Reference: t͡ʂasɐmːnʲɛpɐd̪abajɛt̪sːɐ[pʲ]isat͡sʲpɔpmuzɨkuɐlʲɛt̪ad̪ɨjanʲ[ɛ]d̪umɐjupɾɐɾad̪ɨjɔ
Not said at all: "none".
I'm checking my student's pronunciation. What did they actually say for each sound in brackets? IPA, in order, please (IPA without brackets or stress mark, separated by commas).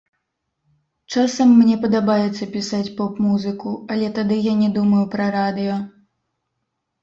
pʲ, ɛ